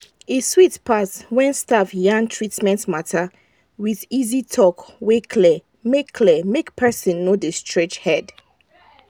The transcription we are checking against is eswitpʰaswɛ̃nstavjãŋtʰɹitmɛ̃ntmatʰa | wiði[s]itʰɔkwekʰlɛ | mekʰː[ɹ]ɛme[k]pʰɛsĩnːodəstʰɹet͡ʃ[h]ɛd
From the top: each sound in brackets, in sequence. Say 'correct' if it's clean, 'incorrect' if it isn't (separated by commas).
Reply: incorrect, incorrect, correct, correct